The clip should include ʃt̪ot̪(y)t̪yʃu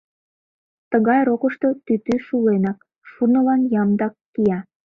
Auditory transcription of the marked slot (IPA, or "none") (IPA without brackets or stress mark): y